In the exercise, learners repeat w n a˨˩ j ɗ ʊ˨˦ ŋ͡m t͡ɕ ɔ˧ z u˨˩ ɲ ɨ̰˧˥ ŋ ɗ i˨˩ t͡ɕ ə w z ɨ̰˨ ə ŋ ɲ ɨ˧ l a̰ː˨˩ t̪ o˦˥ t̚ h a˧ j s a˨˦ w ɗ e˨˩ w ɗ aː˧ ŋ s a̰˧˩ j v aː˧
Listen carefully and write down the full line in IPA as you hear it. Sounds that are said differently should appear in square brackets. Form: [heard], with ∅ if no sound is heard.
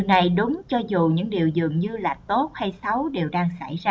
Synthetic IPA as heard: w n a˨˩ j ɗ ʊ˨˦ ŋ͡m t͡ɕ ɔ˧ z u˨˩ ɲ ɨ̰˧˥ ŋ ɗ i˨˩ [∅] ə w z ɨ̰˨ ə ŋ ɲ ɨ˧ l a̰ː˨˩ t̪ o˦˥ t̚ h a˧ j s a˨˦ w ɗ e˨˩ w ɗ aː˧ ŋ s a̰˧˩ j [z] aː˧